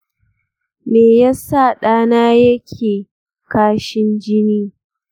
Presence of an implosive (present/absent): present